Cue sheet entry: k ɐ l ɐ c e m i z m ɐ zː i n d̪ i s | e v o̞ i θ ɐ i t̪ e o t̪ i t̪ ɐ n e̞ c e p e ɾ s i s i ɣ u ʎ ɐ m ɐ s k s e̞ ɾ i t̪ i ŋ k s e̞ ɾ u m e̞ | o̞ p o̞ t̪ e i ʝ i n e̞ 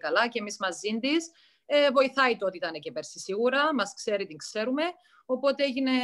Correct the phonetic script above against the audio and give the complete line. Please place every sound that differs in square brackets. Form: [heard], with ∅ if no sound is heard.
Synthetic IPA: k ɐ l ɐ c e m i z m ɐ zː i n d̪ i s | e v o̞ i θ ɐ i t̪ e o t̪ i t̪ ɐ n e̞ c e p e ɾ s i s i ɣ u [ɾ] ɐ m ɐ s k s e̞ ɾ i t̪ i ŋ k s e̞ ɾ u m e̞ | o̞ p o̞ t̪ e [e] ʝ i n e̞